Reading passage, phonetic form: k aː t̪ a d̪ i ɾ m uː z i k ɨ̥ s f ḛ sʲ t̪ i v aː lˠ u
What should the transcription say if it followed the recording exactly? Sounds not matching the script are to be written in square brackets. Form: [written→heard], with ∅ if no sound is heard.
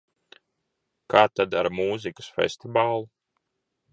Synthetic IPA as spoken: k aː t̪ a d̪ [i→a] ɾ m uː z i k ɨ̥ s f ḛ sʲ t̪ i v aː lˠ u

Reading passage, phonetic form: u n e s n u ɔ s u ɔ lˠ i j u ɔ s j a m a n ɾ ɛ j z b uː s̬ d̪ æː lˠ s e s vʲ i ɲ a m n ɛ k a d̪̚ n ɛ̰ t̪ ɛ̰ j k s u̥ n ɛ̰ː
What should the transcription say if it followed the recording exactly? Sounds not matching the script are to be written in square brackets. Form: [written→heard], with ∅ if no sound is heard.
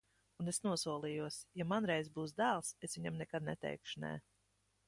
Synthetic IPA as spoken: u n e s n u ɔ s u ɔ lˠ i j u ɔ s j a m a n ɾ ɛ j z b uː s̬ d̪ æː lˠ s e s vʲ i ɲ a m n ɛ k a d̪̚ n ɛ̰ t̪ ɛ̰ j k [s→ʃ] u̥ n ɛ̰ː

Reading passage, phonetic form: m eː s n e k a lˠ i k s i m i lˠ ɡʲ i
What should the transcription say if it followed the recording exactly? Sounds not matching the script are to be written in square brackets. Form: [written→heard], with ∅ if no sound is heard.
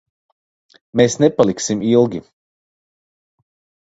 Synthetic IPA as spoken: m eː s n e [k→p] a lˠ i k s i m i lˠ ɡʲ i

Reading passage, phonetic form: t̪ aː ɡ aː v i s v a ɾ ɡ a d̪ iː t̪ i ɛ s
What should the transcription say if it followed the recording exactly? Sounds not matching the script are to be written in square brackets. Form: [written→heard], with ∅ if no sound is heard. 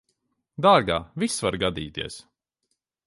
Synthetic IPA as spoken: [t̪→d̪] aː ɡ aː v i s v a ɾ ɡ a d̪ iː t̪ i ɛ s

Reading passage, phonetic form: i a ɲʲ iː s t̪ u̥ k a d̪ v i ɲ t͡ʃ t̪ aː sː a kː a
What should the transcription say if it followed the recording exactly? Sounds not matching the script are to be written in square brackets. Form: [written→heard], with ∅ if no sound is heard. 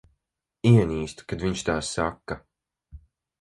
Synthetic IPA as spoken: i [a→ɛ] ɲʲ iː s t̪ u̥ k a d̪ v i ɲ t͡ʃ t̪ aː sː a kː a

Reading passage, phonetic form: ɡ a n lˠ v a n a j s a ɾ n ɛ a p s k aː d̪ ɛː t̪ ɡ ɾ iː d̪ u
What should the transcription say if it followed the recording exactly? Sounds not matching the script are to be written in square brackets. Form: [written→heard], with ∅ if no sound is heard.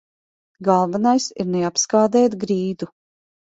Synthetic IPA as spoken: ɡ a [n→∅] lˠ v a n a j s [a→i] ɾ n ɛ a p s k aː d̪ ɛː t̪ ɡ ɾ iː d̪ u

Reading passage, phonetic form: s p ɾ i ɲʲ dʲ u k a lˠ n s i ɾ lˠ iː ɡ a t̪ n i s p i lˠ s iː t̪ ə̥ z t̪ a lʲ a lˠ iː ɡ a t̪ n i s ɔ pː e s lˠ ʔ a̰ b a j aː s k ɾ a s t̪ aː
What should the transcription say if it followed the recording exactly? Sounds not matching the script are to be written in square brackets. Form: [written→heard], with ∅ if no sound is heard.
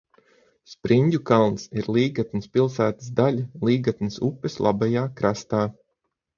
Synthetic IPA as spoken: s p ɾ i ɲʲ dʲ u k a lˠ n s i ɾ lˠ iː ɡ a t̪ n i s p i lˠ s [iː→æː] t̪ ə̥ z [t̪→d̪] a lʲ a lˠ iː ɡ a t̪ n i s [ɔ→u] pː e s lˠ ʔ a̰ b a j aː [s→∅] k ɾ a s t̪ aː

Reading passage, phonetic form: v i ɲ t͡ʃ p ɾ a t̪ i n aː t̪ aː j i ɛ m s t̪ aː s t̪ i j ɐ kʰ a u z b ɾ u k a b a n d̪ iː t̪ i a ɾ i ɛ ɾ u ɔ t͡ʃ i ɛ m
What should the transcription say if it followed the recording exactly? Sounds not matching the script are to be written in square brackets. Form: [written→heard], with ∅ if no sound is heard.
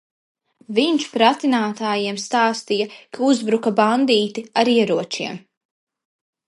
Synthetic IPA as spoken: v i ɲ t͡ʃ p ɾ a t̪ i n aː t̪ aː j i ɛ m s t̪ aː s t̪ i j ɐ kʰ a u z b ɾ u k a b a n d̪ iː t̪ i a ɾ i ɛ ɾ u ɔ t͡ʃ i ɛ m

